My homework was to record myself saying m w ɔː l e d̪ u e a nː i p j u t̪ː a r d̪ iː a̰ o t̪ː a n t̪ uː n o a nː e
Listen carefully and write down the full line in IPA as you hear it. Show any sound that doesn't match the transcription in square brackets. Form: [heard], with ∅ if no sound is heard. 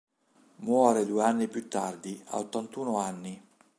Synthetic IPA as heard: m w ɔː [ɾ] e d̪ u e a nː i p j u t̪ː a r d̪ [i] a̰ o t̪ː a n t̪ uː n o a nː [i]